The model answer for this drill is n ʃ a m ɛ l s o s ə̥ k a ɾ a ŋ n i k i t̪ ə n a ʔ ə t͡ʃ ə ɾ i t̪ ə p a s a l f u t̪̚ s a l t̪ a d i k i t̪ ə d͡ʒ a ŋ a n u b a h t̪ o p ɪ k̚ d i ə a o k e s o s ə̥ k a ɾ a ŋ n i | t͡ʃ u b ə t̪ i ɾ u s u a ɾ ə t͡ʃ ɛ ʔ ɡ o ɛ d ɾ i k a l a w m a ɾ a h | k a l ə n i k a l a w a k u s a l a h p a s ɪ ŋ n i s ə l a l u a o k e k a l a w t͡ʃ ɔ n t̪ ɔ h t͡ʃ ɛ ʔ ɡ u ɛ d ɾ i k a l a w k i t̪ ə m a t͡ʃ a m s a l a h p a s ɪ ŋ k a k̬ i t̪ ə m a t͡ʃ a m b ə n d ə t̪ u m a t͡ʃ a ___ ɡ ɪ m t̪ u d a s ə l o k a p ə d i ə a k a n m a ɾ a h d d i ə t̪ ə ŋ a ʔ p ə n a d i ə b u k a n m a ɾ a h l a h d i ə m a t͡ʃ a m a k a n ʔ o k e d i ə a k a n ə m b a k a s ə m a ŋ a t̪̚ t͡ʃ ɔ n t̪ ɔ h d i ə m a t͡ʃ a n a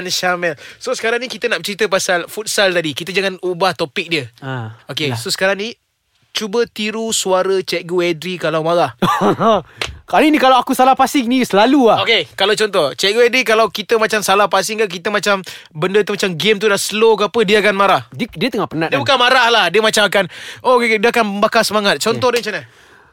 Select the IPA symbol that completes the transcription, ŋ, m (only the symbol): m